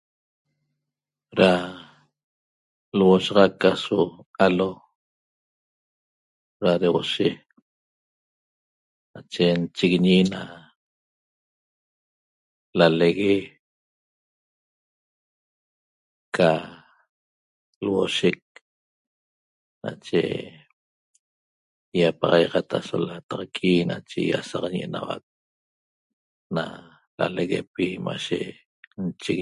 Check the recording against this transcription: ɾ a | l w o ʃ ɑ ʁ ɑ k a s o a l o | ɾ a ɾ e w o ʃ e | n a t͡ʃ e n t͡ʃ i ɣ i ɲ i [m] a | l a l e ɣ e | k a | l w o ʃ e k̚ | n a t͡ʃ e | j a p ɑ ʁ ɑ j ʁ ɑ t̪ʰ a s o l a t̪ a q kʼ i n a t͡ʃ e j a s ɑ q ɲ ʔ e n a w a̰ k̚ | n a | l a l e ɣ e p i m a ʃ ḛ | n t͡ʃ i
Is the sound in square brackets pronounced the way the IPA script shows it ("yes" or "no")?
no